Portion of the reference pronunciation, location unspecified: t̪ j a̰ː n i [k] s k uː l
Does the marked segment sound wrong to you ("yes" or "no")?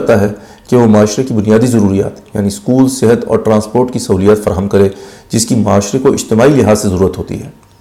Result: yes